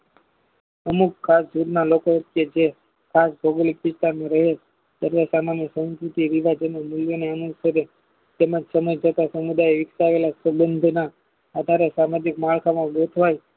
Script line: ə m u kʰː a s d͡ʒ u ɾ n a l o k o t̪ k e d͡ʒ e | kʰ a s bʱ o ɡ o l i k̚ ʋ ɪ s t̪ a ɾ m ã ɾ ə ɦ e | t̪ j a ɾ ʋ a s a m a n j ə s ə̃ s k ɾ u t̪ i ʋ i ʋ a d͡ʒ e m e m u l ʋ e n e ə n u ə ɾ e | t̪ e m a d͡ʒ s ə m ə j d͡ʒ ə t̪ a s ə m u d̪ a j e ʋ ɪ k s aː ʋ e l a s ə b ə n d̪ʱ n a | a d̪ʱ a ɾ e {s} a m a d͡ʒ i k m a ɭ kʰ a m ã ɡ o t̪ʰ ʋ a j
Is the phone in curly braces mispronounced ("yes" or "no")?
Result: no